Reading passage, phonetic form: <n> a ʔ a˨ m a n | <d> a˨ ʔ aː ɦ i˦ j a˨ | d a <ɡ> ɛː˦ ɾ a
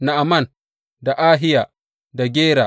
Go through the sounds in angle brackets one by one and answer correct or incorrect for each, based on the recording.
correct, correct, correct

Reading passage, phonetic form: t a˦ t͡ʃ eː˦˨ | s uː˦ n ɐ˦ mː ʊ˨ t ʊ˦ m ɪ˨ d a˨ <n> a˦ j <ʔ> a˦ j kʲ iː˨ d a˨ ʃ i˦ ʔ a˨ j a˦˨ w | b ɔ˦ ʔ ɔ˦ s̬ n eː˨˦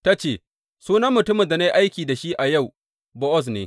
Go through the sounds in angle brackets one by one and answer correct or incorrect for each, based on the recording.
correct, correct

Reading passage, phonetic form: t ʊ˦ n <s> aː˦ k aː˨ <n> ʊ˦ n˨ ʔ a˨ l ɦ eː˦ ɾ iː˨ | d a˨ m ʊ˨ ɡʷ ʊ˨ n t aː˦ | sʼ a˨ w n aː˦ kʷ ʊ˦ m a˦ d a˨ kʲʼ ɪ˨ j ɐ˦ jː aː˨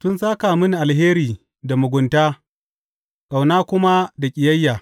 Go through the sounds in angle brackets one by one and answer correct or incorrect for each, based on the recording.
correct, incorrect: m

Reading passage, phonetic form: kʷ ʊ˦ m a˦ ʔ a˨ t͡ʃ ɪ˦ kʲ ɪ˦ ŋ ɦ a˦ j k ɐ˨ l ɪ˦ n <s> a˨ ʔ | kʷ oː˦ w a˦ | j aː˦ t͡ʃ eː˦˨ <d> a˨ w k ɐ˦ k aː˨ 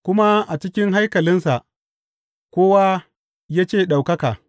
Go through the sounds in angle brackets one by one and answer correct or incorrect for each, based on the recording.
correct, incorrect: ɗ

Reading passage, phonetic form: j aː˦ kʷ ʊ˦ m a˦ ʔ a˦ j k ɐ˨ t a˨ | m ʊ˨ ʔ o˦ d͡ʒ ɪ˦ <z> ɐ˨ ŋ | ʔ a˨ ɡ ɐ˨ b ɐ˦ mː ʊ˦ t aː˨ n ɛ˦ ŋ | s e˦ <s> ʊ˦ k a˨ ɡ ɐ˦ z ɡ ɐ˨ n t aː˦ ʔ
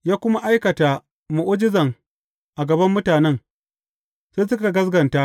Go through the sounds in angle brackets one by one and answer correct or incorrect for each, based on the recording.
correct, correct

